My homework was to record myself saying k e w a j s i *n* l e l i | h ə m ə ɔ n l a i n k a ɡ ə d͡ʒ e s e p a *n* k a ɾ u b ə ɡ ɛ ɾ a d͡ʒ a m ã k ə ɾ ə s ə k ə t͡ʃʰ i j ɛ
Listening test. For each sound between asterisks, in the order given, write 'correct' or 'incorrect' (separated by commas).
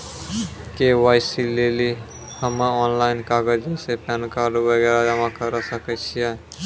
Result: incorrect, correct